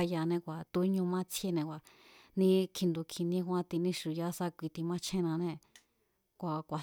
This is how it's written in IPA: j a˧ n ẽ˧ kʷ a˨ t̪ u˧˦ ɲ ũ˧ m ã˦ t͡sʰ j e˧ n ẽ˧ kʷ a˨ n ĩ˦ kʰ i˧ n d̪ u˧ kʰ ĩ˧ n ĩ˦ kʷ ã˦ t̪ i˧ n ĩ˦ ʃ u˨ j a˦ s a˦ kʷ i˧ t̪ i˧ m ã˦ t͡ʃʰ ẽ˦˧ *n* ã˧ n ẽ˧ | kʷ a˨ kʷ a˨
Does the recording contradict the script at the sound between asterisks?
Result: no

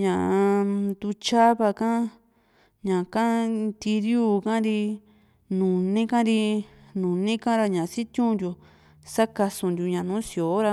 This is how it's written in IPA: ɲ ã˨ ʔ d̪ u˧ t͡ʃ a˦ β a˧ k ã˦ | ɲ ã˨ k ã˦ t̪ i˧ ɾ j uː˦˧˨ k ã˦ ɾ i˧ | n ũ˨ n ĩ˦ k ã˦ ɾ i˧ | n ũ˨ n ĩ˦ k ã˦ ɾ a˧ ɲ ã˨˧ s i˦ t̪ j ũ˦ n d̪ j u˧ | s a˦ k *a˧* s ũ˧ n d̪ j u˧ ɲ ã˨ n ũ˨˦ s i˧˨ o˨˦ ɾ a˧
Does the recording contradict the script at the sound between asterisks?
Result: no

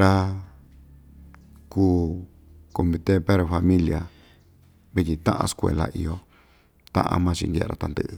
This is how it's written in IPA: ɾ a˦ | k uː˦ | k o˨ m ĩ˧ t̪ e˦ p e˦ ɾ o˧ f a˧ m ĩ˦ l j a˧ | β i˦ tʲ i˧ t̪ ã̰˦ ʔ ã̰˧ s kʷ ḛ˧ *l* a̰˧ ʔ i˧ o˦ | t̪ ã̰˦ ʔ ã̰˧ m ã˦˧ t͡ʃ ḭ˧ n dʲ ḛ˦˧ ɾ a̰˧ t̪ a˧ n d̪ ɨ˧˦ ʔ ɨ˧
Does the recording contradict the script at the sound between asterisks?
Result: no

